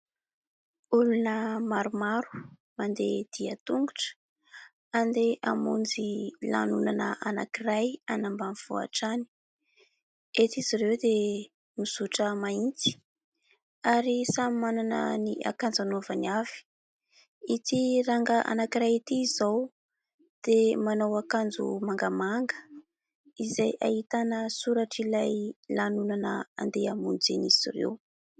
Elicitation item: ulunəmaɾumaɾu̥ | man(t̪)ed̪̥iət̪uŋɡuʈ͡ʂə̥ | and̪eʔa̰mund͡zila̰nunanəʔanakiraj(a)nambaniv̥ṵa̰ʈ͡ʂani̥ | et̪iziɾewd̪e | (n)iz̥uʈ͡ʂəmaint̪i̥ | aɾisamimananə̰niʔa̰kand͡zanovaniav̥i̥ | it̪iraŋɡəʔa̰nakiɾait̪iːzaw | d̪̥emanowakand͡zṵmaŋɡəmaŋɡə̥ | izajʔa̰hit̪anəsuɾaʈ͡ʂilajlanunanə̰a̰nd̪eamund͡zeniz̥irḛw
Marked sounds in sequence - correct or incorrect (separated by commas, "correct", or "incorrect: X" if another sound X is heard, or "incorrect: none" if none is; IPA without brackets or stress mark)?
incorrect: d̪, correct, incorrect: m